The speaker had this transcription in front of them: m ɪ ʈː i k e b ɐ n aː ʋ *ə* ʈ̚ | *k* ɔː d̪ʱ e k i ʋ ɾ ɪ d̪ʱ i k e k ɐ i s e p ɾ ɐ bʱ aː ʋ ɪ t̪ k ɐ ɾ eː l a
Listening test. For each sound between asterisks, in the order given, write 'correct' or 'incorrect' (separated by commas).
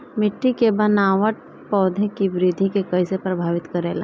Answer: correct, incorrect